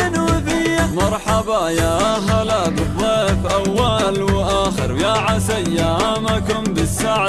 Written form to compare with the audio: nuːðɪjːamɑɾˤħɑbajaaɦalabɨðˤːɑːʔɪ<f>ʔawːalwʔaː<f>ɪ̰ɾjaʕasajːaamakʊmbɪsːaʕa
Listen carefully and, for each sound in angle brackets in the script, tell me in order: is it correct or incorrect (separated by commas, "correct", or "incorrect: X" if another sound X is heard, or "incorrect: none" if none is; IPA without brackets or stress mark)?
correct, incorrect: x